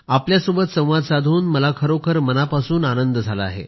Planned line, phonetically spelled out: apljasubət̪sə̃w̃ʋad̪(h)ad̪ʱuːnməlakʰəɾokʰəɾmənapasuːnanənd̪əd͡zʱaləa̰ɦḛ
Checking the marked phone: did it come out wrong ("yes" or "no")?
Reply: yes